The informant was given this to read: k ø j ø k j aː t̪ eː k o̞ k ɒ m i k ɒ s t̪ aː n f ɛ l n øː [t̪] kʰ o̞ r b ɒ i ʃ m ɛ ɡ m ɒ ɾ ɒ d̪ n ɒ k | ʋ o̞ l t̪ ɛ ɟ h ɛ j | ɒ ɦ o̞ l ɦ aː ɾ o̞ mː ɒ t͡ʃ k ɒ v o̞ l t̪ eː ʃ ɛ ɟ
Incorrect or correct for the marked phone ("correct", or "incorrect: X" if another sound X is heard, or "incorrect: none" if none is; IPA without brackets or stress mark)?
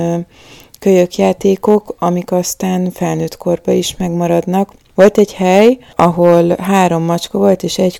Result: correct